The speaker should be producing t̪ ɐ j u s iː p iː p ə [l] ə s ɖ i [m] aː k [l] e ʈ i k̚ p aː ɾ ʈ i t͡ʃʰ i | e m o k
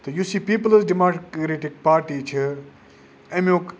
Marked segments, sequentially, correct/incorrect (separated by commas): correct, correct, incorrect